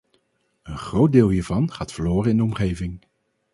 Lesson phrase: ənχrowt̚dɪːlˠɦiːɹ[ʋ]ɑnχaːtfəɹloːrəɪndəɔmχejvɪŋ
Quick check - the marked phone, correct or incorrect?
incorrect